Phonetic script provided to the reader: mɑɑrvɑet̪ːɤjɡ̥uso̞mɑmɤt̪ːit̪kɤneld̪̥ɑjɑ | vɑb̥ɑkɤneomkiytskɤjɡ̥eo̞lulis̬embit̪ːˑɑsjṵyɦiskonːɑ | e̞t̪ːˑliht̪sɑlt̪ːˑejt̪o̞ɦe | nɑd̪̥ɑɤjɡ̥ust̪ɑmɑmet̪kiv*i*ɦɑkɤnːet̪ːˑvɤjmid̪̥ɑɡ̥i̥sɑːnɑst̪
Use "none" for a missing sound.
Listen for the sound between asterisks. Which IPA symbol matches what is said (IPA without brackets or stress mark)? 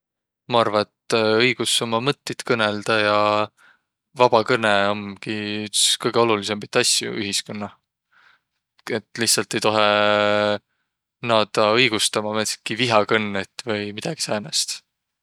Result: i